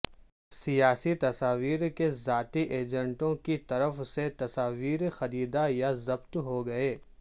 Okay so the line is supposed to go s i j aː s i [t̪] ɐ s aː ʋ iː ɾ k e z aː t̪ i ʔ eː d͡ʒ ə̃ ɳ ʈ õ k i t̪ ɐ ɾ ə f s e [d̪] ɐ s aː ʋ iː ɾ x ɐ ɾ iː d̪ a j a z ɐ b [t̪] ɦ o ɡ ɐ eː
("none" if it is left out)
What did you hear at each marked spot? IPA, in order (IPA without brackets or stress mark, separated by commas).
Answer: t̪, t̪, t̪